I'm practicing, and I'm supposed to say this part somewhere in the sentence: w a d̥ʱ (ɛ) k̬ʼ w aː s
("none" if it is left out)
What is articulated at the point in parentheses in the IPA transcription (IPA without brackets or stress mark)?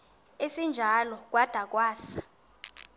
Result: a